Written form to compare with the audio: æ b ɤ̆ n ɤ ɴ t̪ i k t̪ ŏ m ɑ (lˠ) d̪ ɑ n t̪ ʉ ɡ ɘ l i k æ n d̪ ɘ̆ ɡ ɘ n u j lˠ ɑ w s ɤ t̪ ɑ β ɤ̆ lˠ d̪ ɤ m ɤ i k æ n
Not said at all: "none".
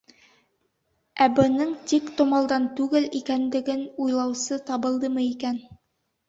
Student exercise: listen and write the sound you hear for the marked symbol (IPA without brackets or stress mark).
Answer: lˠ